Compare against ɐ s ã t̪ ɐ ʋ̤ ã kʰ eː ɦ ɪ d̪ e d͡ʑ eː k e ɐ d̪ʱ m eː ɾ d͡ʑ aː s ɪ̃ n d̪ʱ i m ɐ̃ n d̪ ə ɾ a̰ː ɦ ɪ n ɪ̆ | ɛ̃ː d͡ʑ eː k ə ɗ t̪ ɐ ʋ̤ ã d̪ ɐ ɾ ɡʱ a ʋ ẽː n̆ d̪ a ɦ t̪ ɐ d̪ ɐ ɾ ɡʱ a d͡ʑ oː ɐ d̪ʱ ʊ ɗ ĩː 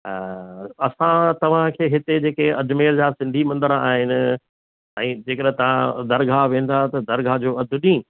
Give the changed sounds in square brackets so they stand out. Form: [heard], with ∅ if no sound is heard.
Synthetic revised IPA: ɐ s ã t̪ ɐ ʋ̤ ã kʰ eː ɦ ɪ [t̪] e d͡ʑ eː k e ɐ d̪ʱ m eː ɾ d͡ʑ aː s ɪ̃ n d̪ʱ i m ɐ̃ n d̪ ə ɾ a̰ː ɦ ɪ n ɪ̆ | ɛ̃ː d͡ʑ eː k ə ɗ t̪ ɐ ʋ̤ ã d̪ ɐ ɾ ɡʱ a ʋ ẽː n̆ d̪ a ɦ t̪ ɐ d̪ ɐ ɾ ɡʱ a d͡ʑ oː ɐ d̪ʱ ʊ ɗ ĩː